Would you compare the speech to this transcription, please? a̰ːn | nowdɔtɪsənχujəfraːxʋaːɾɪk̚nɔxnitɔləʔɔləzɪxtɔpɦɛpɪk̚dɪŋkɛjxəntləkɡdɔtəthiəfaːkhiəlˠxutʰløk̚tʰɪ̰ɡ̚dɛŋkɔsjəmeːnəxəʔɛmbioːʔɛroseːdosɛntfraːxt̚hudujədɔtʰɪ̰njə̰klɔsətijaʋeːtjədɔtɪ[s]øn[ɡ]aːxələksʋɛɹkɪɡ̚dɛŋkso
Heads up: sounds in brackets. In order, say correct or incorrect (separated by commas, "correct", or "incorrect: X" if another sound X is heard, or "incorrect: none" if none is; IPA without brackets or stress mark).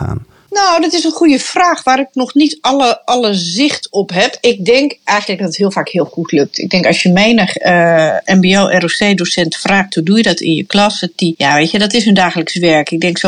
correct, incorrect: d